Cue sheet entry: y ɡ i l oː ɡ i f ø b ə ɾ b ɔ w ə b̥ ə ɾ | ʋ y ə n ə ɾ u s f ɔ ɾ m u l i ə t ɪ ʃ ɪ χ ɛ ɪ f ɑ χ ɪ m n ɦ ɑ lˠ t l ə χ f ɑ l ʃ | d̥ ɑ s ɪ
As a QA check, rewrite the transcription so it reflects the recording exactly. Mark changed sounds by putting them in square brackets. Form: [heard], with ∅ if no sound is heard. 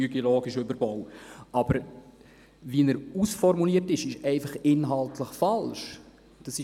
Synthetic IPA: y ɡ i l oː ɡ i [ʃ] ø b ə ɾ b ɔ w [ɑ] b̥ ə ɾ | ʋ [i] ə n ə ɾ u s f ɔ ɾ m u l i ə t ɪ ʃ ɪ [ʃ] ɛ ɪ f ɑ χ ɪ [∅] n ɦ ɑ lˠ t l ə χ f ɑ l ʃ | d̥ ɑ s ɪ